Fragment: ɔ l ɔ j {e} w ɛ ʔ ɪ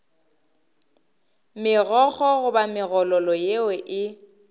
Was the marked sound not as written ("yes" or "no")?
no